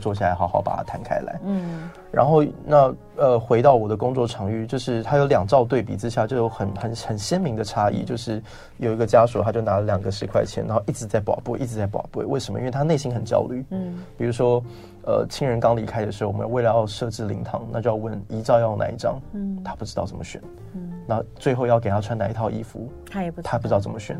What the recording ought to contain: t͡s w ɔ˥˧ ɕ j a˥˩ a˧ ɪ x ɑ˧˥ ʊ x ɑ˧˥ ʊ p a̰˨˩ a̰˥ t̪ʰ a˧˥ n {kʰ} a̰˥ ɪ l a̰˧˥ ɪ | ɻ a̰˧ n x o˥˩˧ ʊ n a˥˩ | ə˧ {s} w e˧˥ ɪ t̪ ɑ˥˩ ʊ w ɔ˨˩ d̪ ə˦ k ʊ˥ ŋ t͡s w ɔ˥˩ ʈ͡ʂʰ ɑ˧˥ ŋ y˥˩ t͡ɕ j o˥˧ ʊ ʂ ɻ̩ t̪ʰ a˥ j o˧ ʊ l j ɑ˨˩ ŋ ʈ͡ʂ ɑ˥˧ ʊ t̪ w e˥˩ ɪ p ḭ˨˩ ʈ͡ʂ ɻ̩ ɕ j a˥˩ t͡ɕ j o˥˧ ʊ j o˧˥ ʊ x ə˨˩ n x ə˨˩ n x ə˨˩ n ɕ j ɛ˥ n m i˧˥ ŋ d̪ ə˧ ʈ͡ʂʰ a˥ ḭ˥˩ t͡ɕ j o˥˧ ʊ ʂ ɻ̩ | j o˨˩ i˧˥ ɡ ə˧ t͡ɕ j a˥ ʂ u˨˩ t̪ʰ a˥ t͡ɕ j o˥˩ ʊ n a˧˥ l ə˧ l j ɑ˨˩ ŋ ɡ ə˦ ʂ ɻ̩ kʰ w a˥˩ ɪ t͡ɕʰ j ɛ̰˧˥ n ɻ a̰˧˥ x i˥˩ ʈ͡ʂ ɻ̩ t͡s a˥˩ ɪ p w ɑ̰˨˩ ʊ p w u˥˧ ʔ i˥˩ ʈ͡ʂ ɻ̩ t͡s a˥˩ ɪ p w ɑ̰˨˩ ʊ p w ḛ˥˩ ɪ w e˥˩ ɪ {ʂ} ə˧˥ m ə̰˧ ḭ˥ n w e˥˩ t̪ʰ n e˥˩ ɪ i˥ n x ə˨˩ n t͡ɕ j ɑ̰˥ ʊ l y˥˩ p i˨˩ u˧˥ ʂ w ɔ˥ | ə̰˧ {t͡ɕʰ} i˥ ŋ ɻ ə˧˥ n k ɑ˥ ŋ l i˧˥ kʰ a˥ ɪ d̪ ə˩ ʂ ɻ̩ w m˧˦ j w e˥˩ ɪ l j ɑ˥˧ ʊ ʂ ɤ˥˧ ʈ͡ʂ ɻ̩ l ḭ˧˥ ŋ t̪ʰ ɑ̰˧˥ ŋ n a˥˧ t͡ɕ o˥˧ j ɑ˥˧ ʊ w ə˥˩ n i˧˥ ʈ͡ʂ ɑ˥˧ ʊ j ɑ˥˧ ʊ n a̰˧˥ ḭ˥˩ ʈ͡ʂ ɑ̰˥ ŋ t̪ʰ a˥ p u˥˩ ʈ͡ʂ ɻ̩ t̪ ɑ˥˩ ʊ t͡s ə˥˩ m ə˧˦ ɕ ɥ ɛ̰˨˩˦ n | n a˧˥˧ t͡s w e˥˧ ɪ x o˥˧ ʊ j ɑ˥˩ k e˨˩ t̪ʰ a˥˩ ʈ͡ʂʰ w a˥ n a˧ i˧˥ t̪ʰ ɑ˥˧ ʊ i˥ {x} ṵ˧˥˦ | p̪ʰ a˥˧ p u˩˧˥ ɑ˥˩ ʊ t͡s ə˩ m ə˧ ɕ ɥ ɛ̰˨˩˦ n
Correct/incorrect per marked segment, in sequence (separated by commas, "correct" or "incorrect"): correct, incorrect, correct, correct, incorrect